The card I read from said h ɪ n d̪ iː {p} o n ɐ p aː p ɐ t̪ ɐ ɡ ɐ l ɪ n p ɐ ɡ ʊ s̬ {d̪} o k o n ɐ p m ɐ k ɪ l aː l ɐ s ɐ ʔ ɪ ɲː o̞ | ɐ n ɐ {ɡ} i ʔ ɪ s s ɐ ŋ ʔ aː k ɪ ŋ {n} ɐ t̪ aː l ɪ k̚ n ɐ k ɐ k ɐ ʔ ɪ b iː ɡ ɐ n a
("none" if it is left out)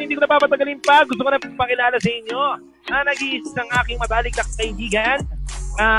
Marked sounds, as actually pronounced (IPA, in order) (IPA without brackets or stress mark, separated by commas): k, t̪, ɡ, m